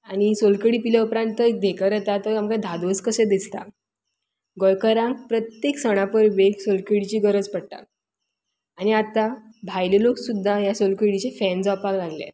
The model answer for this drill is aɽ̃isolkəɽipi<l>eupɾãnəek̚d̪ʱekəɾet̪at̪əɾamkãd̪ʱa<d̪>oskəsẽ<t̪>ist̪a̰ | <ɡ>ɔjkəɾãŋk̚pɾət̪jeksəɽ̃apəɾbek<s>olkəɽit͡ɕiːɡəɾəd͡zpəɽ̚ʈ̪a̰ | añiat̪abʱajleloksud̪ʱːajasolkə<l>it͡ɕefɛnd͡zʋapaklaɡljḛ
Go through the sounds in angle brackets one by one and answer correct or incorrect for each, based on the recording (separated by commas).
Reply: correct, correct, incorrect, correct, correct, incorrect